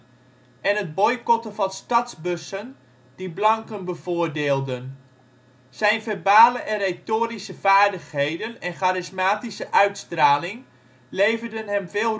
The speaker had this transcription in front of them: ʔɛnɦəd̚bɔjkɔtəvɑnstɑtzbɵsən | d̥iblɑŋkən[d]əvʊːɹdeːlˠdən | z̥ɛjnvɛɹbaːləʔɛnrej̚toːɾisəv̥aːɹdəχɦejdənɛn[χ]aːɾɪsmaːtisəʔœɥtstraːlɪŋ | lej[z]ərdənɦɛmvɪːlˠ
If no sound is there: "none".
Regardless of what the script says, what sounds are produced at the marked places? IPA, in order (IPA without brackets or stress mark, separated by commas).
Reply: b, χ, v